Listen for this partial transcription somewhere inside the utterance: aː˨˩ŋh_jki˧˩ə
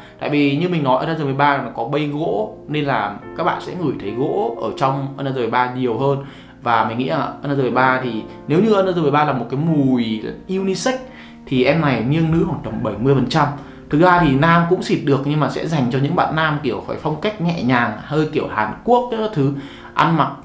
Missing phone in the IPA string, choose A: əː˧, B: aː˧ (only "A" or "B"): A